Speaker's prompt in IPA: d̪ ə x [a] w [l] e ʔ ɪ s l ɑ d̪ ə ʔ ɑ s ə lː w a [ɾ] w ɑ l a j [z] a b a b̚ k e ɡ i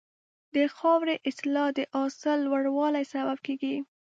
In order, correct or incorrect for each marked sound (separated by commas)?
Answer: incorrect, incorrect, incorrect, incorrect